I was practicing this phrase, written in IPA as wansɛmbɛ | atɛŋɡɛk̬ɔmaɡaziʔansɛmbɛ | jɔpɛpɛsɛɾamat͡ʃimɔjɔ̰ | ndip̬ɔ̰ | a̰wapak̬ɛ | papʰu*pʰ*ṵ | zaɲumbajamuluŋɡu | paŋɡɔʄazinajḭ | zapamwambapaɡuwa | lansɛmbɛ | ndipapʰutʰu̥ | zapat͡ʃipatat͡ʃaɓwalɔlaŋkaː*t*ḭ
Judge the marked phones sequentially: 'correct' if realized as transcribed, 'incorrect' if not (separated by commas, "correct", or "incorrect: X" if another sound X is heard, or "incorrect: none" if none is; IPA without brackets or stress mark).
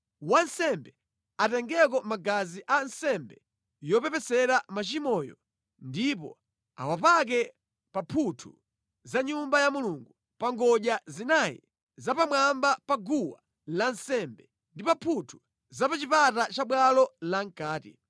incorrect: tʰ, correct